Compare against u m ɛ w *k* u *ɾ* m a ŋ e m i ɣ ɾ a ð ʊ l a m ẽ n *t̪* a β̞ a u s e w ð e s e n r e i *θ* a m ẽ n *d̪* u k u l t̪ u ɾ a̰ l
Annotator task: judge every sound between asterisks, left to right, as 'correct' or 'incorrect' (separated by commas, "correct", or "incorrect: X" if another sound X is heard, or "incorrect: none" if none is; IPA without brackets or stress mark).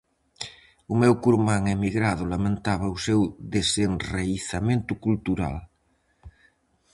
correct, correct, correct, correct, incorrect: t̪